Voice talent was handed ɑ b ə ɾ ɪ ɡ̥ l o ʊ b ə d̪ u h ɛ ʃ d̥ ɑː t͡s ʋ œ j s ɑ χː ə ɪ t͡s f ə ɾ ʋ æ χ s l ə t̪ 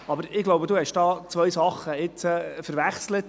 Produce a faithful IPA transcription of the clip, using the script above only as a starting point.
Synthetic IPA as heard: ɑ b ə ɾ ɪ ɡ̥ l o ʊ b ə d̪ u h ɛ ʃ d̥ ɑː t͡s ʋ œ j s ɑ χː ə ɪ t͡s f ə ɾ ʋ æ χ s l ə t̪